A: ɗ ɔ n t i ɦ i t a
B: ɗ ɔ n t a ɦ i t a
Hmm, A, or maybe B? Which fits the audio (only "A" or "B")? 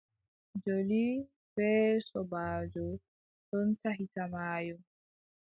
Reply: B